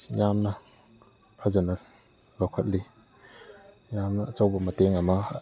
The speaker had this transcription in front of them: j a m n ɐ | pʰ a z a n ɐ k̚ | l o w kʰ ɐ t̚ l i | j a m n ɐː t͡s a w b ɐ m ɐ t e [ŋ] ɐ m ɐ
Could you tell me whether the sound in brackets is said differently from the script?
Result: no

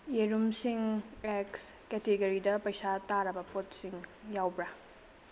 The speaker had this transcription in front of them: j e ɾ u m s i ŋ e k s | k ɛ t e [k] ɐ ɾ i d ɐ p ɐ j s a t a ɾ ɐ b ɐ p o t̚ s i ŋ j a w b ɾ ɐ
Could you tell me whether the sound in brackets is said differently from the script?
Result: yes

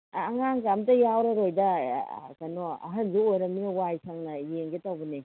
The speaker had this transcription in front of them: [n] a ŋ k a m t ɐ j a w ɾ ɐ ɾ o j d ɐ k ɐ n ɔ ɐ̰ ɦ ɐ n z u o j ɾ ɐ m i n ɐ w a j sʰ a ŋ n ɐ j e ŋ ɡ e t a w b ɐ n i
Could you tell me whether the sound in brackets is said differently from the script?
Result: yes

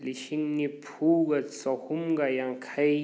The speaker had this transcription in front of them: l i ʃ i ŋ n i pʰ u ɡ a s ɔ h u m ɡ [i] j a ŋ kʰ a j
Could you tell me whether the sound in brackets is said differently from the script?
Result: yes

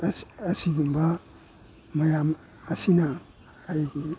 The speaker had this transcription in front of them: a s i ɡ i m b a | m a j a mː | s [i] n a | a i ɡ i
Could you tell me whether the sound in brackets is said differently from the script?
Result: no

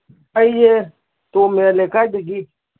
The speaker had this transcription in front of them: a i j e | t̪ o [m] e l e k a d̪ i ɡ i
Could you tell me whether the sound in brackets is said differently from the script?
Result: no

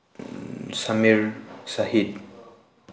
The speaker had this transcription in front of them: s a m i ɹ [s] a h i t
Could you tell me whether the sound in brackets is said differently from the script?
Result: no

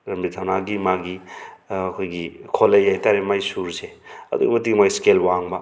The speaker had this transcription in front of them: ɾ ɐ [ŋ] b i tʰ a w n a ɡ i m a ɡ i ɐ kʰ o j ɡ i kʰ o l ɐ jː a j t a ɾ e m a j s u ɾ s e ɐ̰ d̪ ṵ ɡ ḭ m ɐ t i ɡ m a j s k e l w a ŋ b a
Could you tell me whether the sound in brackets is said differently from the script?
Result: yes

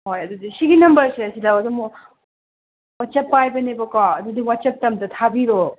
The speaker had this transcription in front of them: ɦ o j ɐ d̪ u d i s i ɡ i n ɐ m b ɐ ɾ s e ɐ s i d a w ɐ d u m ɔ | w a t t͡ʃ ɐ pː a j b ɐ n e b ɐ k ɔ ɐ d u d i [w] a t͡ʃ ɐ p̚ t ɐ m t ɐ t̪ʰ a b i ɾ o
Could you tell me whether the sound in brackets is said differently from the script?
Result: no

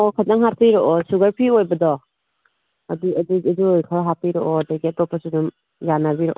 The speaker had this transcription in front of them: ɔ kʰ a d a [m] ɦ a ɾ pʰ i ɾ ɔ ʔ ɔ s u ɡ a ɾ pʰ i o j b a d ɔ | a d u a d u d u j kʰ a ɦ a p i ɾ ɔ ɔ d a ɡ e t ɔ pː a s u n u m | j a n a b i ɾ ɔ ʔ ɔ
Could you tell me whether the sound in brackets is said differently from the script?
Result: yes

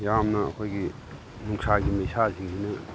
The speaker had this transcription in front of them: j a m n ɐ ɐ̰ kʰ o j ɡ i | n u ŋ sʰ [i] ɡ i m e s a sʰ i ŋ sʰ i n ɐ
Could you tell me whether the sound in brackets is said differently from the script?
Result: yes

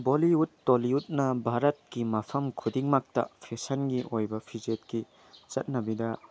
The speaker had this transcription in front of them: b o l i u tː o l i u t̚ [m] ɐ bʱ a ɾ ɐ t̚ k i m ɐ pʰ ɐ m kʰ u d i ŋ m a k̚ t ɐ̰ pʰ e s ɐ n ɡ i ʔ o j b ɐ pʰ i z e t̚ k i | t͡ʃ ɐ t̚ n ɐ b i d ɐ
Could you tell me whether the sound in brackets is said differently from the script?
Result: yes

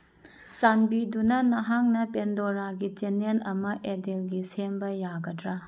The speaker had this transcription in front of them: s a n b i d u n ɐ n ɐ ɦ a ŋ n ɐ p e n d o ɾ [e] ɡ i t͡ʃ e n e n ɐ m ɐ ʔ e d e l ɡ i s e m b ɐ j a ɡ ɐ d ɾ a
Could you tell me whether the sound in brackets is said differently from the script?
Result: yes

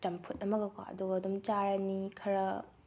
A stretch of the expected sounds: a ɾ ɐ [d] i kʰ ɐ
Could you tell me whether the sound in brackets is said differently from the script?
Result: yes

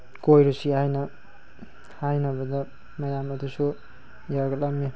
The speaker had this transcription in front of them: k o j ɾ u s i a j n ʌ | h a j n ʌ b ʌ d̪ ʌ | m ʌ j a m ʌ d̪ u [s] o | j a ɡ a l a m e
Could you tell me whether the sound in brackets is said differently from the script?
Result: no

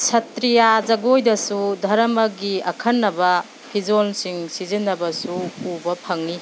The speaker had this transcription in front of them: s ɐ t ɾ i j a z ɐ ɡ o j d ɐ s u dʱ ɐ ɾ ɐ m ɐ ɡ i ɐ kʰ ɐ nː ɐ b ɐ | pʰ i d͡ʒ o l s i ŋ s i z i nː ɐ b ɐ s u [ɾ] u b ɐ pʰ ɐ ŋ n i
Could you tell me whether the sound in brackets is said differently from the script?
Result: yes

